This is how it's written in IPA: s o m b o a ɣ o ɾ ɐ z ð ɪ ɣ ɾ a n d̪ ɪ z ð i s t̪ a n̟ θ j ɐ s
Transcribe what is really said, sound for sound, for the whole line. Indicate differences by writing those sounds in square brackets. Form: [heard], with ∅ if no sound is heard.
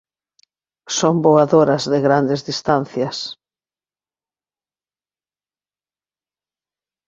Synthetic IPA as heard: s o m b o a [ð] o ɾ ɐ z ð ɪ ɣ ɾ a n d̪ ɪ z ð i s t̪ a n̟ θ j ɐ s